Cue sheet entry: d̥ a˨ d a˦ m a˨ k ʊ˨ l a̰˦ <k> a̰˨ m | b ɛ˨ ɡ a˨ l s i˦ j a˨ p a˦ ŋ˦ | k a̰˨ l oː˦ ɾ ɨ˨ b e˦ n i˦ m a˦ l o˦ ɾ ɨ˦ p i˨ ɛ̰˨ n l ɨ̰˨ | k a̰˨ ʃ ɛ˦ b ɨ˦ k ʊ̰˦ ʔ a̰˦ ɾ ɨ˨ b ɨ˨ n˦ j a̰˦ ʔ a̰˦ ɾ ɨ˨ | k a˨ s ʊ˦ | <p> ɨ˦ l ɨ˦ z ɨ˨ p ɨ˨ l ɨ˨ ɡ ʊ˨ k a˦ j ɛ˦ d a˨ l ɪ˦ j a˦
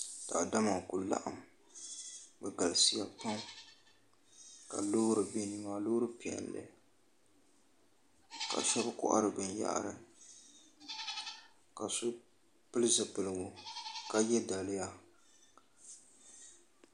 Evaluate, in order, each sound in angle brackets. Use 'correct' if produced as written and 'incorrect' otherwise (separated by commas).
incorrect, correct